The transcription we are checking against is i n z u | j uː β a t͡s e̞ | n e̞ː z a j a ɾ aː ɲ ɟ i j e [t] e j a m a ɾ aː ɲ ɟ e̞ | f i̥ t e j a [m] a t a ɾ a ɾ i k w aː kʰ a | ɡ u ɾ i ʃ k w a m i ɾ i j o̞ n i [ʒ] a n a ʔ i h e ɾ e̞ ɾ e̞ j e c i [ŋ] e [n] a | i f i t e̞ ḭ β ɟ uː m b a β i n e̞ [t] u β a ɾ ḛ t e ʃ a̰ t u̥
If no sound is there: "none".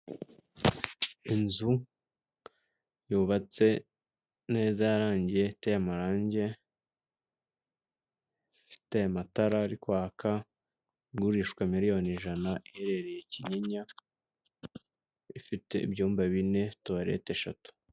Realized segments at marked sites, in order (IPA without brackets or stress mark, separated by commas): t, m, ʒ, ɲ, ɲ, t